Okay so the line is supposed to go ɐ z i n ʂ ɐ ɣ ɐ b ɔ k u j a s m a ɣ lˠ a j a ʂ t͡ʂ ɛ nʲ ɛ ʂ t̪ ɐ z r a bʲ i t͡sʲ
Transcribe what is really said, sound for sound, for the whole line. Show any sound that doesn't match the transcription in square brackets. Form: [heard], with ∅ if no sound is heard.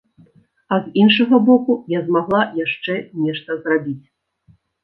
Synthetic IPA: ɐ z i n ʂ ɐ ɣ ɐ b ɔ k u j a [z] m a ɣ lˠ a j a ʂ t͡ʂ ɛ nʲ ɛ ʂ t̪ ɐ z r a bʲ i t͡sʲ